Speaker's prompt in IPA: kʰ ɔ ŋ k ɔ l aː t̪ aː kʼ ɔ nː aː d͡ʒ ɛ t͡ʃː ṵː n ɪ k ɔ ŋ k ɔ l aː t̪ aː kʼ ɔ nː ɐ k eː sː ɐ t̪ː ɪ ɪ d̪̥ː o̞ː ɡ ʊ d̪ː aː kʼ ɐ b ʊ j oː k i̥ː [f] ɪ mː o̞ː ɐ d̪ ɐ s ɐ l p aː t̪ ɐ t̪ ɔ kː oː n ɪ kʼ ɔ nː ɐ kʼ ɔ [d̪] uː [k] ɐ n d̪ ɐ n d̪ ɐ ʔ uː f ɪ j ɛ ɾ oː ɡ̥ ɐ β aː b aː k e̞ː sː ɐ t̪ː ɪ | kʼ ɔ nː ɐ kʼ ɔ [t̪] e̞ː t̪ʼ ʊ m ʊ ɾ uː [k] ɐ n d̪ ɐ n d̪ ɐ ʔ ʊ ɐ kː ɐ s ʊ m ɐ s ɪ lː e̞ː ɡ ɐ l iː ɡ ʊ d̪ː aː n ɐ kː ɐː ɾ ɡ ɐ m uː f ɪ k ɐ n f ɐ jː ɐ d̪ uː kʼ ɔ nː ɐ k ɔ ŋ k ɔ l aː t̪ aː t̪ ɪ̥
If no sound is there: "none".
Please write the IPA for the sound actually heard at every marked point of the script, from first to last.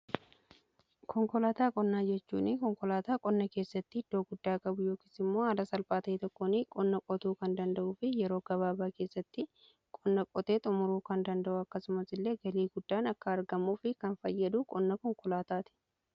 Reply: s, t̪, k, t̪, k

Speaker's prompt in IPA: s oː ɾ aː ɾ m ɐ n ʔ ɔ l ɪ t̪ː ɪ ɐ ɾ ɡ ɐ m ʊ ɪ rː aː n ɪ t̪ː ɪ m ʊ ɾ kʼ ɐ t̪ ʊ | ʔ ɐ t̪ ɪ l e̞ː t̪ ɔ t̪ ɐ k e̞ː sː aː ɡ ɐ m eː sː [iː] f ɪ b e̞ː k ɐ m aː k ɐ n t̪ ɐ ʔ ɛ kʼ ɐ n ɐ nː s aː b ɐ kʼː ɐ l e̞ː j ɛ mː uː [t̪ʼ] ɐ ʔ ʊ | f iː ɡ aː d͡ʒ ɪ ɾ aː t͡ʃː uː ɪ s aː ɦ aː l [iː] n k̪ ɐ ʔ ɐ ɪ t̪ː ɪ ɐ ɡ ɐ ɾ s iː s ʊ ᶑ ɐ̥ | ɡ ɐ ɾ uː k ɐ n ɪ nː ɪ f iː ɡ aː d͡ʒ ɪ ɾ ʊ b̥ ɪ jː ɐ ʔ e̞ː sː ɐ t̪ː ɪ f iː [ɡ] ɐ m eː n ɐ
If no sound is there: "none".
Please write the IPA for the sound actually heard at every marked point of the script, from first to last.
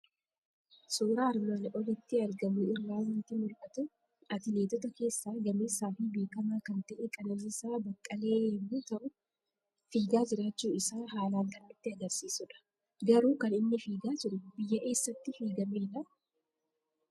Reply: aː, t̪, aː, ɡ

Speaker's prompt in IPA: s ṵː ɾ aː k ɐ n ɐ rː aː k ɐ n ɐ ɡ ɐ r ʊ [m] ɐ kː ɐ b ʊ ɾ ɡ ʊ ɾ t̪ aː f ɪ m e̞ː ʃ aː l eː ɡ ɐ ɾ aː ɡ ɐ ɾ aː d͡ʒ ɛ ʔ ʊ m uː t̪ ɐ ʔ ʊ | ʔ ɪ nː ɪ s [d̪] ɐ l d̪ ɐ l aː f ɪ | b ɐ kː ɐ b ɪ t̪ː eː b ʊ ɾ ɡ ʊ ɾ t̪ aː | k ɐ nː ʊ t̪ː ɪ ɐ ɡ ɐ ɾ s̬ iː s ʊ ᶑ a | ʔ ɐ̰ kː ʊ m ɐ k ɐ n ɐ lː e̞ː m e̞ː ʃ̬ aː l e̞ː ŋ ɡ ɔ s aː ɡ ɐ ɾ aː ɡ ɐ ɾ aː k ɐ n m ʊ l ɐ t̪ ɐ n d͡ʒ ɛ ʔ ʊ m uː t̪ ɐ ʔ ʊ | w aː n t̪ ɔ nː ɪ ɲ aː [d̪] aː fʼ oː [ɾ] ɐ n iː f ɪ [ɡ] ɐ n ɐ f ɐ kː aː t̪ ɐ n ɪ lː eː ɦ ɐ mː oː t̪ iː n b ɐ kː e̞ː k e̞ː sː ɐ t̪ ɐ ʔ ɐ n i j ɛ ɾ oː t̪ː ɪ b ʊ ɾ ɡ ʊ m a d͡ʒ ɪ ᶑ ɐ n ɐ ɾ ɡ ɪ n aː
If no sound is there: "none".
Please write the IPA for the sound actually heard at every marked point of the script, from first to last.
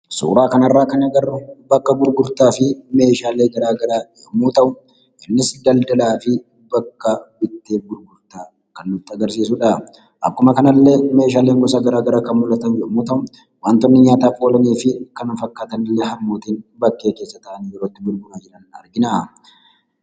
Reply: b, d̪, t̪, l, k

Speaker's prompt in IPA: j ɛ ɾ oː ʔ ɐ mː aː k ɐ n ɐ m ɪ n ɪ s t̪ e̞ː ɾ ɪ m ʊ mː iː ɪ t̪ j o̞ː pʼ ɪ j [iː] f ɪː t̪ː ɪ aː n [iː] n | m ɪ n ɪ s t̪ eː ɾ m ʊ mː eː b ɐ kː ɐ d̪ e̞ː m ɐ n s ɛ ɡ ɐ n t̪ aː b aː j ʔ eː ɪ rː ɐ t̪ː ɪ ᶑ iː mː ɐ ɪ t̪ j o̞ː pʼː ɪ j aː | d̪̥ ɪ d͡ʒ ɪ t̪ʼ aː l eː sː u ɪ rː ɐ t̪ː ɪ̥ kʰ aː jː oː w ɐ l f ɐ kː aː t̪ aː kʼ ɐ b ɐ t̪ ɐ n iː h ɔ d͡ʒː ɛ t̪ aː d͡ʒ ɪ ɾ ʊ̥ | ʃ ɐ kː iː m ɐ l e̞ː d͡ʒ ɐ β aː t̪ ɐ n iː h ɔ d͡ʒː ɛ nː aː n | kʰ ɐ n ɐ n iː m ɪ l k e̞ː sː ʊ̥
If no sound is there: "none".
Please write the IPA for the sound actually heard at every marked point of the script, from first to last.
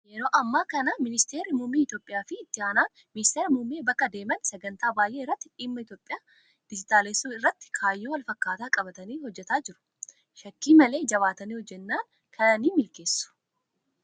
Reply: aː, aː

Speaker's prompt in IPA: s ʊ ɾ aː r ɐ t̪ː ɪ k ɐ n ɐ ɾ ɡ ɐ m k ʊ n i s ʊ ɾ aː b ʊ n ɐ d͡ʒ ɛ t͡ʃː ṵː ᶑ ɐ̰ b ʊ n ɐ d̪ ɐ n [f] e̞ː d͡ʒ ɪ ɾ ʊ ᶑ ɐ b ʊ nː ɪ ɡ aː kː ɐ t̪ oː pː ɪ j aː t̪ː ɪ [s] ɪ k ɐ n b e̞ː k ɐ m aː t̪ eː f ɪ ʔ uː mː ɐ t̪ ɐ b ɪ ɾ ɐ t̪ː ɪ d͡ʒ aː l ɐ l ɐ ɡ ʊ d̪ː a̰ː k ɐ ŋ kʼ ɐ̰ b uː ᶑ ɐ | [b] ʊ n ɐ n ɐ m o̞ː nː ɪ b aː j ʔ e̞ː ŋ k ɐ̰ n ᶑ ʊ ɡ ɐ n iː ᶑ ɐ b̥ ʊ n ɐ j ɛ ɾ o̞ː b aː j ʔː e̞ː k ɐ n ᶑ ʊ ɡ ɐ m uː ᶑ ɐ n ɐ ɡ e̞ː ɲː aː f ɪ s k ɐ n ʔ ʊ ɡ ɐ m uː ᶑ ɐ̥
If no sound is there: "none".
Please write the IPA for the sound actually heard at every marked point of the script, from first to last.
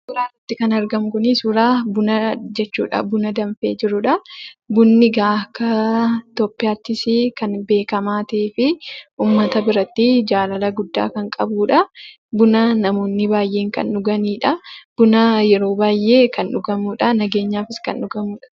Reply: f, s, b

